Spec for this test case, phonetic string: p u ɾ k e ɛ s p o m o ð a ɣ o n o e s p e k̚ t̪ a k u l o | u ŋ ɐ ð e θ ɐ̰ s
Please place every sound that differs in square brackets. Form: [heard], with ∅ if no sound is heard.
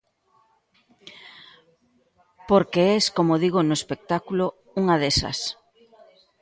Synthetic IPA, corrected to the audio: p [o] ɾ k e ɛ s [k] o m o ð [i] ɣ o n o e s p e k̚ t̪ a k u l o | u ŋ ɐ ð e [s] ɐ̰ s